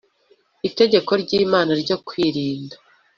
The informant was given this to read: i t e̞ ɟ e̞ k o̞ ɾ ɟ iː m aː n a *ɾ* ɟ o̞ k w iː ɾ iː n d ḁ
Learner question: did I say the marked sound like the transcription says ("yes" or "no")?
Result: yes